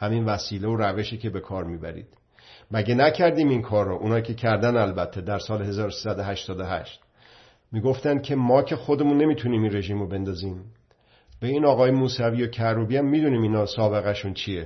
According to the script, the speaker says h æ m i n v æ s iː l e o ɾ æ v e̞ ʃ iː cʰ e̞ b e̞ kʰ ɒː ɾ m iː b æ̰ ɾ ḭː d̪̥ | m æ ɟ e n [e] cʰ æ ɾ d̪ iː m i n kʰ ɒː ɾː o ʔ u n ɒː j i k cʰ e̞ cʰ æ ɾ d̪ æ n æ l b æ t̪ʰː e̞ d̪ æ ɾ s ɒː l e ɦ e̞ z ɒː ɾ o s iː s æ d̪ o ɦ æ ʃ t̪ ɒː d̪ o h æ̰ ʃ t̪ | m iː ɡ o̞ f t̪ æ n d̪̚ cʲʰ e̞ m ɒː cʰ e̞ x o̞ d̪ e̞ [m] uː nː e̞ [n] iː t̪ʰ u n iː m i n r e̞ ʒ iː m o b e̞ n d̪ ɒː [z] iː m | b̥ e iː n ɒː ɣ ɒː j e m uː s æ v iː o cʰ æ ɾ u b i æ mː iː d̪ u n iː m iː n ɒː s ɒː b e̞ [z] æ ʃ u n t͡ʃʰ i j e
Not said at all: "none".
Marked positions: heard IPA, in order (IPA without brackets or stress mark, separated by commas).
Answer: æ, m, m, z, ɣ